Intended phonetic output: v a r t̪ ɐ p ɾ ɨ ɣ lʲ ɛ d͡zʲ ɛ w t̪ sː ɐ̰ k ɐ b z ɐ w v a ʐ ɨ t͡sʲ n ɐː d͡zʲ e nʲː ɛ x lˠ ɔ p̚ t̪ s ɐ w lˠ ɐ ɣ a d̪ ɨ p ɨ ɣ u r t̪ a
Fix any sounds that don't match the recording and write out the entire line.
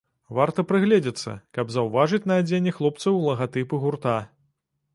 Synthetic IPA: v a r t̪ ɐ p ɾ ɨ ɣ lʲ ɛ d͡zʲ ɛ t̪ sː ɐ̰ k ɐ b z ɐ w v a ʐ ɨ t͡sʲ n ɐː d͡zʲ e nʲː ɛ x lˠ ɔ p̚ t̪ s ɐ w lˠ ɐ ɣ a t̪ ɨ p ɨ ɣ u r t̪ a